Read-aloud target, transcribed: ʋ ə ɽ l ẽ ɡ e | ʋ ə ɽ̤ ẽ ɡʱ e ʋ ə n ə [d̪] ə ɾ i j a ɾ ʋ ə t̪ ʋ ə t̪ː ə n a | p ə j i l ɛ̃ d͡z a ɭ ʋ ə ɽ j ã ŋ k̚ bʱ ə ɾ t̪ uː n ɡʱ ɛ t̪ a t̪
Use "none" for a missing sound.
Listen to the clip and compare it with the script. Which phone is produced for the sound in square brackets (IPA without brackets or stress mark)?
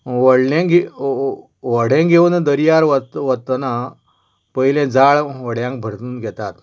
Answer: d̪